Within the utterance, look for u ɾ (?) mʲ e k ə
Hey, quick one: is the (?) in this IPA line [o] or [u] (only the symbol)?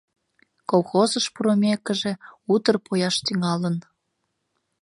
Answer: o